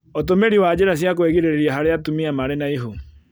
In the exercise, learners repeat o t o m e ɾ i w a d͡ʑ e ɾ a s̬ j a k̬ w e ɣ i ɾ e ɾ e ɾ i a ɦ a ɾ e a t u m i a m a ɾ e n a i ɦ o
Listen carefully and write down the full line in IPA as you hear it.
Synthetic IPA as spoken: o t o m e ɾ i w a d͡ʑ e ɾ a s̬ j a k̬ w e ɣ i ɾ e ɾ e ɾ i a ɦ a ɾ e a t u m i a m a ɾ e n a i ɦ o